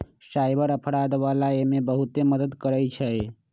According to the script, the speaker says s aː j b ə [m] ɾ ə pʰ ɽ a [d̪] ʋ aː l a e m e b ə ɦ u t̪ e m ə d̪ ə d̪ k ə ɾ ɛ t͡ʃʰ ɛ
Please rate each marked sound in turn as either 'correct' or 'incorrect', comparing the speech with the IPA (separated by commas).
incorrect, correct